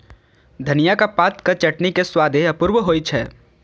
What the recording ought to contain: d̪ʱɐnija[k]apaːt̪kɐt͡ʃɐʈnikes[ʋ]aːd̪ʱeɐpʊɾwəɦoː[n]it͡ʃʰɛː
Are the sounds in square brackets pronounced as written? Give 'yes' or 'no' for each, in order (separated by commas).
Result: yes, no, no